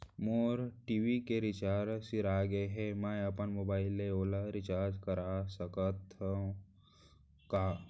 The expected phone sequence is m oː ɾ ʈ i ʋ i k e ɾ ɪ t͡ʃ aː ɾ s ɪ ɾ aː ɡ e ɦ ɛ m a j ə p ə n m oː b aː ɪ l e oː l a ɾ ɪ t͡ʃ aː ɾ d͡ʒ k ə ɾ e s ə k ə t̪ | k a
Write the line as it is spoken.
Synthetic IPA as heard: m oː ɾ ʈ i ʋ i k e ɾ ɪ t͡ʃ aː ɾ s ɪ ɾ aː ɡ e ɦ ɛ m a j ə p ə n m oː b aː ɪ l e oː l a ɾ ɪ t͡ʃ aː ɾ d͡ʒ k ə ɾ a s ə k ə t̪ | k a